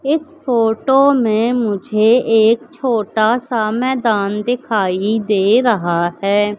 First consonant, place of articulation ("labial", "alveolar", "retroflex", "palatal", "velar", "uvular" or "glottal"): alveolar